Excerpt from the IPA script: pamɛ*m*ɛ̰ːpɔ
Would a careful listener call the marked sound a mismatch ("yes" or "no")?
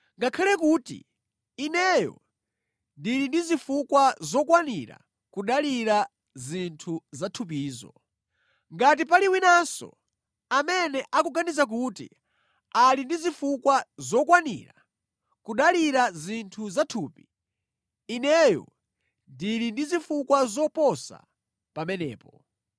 yes